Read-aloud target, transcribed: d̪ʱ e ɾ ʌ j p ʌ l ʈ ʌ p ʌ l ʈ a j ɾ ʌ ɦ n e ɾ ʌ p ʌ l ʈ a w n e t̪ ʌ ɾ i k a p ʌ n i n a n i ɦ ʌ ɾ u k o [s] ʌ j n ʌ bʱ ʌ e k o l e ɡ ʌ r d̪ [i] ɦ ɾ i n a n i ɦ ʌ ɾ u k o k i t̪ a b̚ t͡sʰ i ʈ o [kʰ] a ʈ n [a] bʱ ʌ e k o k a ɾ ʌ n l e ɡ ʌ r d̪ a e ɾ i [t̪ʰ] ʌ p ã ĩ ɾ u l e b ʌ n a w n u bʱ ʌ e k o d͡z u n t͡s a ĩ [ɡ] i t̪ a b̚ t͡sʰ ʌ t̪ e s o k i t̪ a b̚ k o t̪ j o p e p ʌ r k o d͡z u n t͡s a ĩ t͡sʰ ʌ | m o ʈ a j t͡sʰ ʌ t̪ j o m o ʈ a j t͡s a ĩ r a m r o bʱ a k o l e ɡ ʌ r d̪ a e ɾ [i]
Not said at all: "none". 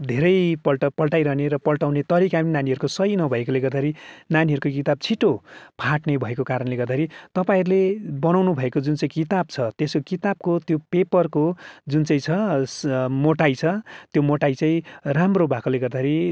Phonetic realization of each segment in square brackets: s, a, pʰ, e, t̪, k, i

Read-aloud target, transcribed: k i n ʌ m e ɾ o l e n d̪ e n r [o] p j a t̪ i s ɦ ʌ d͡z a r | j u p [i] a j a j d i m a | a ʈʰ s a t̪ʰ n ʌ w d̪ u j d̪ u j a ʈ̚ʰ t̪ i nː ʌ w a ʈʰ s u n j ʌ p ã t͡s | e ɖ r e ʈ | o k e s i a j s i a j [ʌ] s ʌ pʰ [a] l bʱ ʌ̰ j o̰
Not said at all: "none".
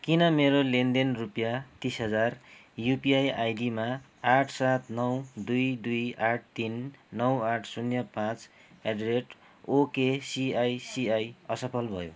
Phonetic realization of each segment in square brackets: u, i, ʌ, ʌ

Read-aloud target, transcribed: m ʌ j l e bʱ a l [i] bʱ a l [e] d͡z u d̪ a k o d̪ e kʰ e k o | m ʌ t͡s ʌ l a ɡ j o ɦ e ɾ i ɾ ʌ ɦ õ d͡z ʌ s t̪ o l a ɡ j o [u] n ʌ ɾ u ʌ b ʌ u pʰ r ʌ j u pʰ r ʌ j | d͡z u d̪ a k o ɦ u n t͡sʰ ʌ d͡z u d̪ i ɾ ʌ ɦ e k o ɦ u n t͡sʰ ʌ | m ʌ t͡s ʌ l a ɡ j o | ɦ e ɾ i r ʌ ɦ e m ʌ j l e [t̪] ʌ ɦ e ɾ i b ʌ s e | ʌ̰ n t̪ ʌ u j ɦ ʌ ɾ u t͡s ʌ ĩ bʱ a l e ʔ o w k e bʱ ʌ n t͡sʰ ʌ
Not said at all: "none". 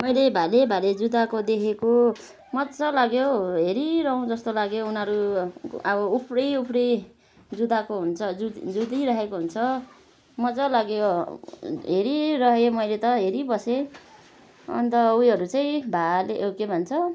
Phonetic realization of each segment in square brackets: e, e, u, t̪

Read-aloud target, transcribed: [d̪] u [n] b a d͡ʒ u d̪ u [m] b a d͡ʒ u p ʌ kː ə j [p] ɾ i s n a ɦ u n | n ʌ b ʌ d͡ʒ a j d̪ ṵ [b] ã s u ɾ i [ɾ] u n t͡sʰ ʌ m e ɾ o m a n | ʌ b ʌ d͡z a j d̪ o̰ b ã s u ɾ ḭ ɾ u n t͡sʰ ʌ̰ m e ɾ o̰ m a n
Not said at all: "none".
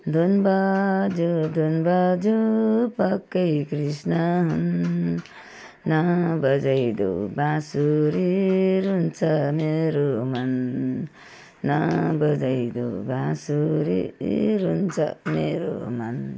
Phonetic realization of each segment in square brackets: d̪, n, n, k, b, ɾ

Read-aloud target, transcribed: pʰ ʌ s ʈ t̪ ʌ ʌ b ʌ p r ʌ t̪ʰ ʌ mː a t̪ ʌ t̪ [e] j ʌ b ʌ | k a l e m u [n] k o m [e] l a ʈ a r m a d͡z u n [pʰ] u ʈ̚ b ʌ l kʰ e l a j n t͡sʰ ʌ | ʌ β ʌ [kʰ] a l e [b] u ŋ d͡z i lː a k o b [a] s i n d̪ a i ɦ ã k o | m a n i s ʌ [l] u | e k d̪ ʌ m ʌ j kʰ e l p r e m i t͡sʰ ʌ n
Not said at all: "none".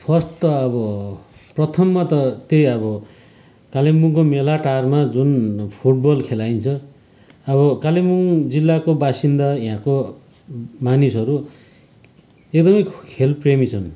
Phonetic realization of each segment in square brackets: e, ŋ, e, pʰ, k, m, a, ɾ

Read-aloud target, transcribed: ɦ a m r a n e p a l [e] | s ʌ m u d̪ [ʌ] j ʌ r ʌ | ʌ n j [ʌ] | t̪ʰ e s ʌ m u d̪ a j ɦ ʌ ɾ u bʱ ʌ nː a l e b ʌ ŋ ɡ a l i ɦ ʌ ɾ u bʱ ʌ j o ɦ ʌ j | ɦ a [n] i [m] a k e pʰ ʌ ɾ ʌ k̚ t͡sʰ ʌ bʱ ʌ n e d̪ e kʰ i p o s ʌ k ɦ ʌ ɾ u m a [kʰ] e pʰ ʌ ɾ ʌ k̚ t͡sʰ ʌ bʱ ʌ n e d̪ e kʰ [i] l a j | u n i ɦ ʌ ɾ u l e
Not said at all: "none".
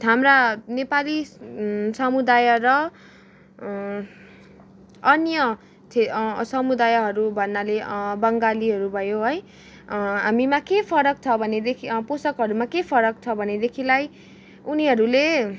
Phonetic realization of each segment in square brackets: i, a, ʌ, m, m, k, i

